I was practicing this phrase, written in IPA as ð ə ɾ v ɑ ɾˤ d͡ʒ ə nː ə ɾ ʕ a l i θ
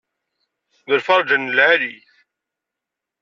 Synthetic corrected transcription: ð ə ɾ f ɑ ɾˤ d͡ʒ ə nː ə l ʕ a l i θ